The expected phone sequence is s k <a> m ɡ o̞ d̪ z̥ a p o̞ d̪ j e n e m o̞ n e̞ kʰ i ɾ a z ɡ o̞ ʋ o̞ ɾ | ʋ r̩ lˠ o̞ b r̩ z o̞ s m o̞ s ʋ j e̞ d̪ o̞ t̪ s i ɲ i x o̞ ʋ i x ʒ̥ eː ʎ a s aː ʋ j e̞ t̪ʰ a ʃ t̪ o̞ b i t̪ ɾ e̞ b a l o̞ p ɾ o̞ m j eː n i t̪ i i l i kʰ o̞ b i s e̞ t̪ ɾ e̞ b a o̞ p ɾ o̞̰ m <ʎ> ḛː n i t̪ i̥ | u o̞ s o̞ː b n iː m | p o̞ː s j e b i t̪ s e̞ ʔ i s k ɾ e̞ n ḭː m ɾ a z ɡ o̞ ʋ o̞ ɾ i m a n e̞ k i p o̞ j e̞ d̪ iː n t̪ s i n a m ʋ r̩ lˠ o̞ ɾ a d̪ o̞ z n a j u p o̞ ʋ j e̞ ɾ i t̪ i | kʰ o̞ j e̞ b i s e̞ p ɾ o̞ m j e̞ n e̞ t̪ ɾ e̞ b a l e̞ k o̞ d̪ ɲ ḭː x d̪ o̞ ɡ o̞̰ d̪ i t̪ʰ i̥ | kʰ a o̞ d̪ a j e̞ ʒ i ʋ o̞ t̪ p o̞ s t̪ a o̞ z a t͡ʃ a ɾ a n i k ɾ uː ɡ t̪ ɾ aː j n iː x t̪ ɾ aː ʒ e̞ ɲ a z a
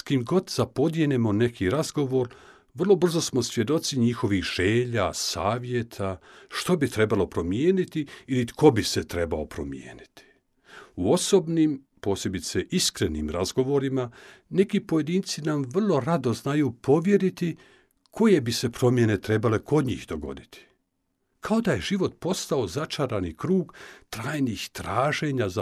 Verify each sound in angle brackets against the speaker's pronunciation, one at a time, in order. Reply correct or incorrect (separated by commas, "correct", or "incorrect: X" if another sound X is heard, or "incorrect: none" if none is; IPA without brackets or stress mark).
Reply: incorrect: i, incorrect: j